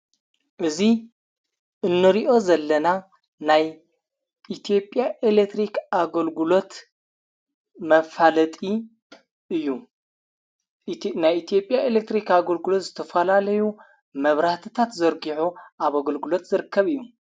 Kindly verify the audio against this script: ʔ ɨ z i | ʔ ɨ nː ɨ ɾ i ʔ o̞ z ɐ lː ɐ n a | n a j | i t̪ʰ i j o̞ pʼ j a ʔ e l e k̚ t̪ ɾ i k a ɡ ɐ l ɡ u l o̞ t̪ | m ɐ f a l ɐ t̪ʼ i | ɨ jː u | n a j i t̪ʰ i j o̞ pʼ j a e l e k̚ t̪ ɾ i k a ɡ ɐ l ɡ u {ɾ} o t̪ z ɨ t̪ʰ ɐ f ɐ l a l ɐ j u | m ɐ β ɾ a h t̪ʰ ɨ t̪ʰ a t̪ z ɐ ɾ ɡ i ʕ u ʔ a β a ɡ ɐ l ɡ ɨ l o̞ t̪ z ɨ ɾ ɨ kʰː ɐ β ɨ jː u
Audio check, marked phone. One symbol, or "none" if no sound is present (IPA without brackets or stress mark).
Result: l